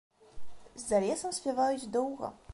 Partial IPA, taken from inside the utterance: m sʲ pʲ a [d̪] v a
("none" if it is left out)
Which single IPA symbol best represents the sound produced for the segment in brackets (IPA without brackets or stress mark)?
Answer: none